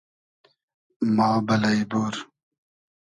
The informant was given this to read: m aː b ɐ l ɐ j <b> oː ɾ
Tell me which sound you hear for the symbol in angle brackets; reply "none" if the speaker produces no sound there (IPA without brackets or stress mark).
b